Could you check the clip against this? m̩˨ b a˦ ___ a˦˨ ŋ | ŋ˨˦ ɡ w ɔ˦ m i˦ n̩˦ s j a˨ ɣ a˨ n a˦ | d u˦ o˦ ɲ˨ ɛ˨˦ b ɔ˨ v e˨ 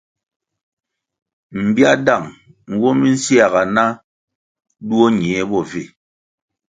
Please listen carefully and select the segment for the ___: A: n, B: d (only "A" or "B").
B